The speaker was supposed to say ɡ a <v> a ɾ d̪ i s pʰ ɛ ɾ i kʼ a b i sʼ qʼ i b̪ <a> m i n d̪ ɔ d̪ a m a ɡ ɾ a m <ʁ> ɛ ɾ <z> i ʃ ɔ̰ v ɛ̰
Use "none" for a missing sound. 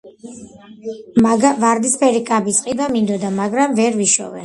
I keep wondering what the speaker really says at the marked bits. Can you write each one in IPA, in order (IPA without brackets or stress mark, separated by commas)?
v, a, v, v